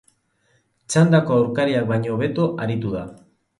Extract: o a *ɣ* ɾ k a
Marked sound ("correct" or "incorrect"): incorrect